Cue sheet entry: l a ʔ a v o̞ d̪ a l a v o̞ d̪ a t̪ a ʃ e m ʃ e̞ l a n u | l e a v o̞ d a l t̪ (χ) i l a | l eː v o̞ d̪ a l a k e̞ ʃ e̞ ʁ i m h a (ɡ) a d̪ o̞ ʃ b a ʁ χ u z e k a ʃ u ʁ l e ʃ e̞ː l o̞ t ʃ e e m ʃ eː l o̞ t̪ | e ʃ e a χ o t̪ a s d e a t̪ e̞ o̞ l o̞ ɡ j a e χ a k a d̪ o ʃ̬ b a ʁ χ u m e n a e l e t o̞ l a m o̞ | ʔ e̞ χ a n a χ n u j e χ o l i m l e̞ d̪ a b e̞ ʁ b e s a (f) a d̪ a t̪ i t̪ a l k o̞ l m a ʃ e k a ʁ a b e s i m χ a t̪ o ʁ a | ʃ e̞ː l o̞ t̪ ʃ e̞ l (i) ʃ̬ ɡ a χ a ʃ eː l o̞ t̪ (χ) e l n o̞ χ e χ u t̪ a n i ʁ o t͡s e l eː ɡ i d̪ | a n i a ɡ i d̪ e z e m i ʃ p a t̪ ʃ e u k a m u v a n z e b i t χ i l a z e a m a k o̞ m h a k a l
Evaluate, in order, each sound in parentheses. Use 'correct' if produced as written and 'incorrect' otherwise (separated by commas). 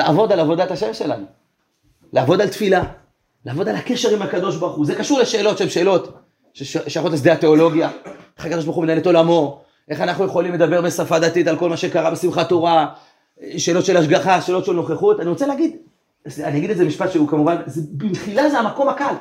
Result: incorrect, incorrect, correct, incorrect, incorrect